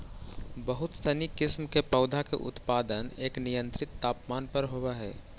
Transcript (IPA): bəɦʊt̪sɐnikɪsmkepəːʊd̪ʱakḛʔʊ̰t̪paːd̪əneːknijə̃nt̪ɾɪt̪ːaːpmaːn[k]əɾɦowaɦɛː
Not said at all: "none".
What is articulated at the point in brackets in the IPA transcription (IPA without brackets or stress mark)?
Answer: p